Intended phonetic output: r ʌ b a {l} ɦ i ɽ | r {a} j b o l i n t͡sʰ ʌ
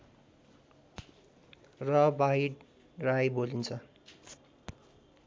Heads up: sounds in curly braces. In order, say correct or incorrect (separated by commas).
incorrect, correct